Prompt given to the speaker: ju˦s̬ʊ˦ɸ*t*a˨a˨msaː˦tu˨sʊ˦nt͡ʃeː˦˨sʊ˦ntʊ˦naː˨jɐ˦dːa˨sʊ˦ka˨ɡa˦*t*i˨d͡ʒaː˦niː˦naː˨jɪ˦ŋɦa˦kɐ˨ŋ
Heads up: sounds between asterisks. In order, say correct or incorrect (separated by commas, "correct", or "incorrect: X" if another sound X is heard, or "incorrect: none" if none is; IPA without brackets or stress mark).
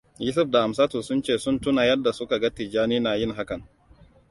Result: incorrect: d, correct